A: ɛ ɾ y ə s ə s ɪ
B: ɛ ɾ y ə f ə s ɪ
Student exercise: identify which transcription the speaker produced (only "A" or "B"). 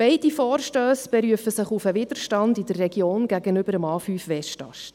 B